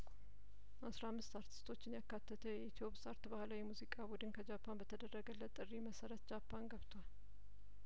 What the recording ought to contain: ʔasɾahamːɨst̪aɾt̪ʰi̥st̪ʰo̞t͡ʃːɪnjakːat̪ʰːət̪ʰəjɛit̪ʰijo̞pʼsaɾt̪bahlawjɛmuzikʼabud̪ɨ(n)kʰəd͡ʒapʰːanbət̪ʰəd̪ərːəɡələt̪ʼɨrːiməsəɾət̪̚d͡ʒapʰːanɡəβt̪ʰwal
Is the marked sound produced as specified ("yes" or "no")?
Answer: yes